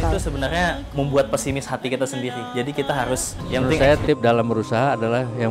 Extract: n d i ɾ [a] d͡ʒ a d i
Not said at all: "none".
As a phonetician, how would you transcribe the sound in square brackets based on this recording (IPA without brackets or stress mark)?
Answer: i